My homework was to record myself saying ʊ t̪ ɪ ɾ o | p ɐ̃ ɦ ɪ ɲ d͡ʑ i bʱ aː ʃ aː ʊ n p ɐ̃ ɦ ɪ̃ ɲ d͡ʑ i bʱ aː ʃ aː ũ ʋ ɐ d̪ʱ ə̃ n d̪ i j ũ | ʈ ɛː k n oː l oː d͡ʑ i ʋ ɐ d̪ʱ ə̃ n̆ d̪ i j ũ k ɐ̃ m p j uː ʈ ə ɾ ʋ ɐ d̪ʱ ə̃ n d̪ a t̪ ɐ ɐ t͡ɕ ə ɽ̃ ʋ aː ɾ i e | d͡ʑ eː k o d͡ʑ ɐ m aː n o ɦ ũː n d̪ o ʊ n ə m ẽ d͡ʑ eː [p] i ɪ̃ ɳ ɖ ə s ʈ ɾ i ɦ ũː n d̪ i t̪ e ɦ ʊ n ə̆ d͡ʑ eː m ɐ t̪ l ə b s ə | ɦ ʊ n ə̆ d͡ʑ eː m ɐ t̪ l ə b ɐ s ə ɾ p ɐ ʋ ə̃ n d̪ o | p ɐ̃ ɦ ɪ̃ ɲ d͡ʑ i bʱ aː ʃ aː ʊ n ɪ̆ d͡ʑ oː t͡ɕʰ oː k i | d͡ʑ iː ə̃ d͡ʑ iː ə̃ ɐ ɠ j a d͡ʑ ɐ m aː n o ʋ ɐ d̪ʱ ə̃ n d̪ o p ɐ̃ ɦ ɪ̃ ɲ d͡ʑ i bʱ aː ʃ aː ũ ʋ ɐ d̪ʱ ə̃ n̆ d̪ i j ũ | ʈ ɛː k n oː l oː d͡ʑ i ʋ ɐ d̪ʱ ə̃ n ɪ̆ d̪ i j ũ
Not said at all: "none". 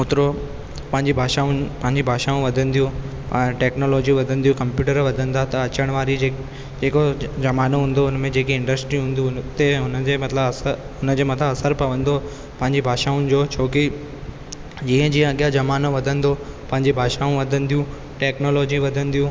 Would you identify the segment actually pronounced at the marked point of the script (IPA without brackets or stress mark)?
k